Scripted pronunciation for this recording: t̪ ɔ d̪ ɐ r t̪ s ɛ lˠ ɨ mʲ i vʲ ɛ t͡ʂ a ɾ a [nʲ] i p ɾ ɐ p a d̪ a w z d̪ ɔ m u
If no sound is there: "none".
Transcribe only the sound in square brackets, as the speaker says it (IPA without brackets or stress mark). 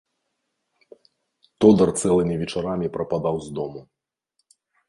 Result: mʲ